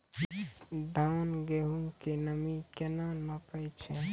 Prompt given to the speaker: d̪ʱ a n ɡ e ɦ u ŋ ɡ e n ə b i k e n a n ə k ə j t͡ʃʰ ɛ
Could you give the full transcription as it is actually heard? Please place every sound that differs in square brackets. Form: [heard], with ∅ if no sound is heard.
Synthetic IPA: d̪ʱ a n ɡ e ɦ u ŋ [k] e n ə [m] i k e n a n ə [p] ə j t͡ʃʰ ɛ